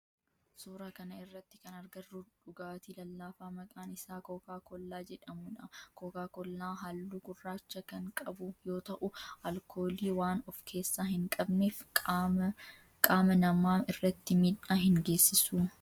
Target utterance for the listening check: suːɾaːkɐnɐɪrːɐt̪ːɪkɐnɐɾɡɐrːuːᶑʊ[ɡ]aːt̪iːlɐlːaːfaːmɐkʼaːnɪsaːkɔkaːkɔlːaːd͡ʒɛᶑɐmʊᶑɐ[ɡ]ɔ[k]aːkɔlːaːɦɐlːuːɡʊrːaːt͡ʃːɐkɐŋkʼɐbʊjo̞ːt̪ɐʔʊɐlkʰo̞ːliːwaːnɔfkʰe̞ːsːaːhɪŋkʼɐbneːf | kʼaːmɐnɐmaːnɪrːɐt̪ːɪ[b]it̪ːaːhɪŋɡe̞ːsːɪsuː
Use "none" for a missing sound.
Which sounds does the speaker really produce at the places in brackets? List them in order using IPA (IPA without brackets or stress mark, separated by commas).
ɡ, k, k, m